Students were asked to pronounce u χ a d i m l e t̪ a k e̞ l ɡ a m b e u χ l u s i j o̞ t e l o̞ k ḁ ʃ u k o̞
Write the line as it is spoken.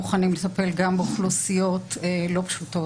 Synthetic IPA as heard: u χ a n i m l e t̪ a p e̞ l ɡ a m b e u χ l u s i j o̞ t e l o̞ p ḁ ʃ u t o̞